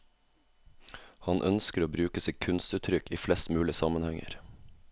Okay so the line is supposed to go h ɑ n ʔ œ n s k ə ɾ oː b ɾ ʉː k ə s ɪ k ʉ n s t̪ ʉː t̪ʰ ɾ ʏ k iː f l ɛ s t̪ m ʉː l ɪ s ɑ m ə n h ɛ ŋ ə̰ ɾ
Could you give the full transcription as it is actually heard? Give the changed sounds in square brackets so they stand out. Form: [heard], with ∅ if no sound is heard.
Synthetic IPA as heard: h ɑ n ʔ œ n s k ə ɾ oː b ɾ ʉː k ə s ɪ [kʰ] ʉ n s t̪ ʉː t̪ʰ ɾ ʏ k iː f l ɛ s t̪ m ʉː l ɪ s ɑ m ə n h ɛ ŋ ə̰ ɾ

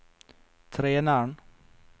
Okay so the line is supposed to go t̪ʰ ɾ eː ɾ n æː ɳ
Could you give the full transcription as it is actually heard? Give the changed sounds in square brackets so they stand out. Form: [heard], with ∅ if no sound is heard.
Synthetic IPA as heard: t̪ʰ ɾ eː [∅] n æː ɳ

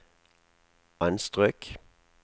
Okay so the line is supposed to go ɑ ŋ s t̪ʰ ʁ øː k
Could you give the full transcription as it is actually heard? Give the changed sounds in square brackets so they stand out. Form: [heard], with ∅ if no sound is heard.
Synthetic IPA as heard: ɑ [n] s [t̪] ʁ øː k

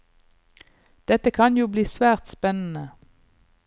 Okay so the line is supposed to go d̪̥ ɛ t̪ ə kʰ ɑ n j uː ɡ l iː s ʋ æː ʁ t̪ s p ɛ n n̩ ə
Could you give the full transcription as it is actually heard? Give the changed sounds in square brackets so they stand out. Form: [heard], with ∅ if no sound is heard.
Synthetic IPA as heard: d̪̥ ɛ t̪ ə kʰ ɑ n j uː [b] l iː s ʋ æː ʁ t̪ s p ɛ n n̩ ə

